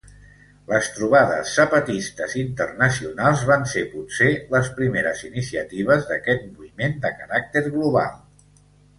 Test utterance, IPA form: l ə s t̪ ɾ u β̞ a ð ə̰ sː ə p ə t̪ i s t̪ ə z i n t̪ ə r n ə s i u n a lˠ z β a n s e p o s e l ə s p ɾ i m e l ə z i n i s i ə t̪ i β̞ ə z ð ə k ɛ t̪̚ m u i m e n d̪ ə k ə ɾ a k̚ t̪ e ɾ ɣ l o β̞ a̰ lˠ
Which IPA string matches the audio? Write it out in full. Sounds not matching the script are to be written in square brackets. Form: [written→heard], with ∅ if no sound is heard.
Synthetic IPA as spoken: l ə s t̪ ɾ u β̞ a ð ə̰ sː ə p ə t̪ i s t̪ ə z i n t̪ ə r n ə s i u n a lˠ z β a n s e p [o→u] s e l ə s p ɾ i m e [l→ɾ] ə z i n i s i ə t̪ i β̞ ə z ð ə k ɛ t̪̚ m u i m e n d̪ ə k ə ɾ a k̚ t̪ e ɾ ɣ l [o→u] β̞ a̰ lˠ